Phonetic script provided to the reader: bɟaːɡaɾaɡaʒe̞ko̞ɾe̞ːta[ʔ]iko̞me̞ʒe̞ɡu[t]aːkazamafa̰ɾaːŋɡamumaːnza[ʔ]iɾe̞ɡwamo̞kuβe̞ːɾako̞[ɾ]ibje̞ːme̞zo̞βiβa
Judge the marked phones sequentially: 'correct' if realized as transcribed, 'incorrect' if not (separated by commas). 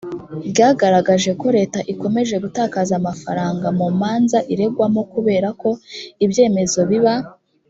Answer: correct, correct, correct, incorrect